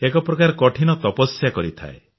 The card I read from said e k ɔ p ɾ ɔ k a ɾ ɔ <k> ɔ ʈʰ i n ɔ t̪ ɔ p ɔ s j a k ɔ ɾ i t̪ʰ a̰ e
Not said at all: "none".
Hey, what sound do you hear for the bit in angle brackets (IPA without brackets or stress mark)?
k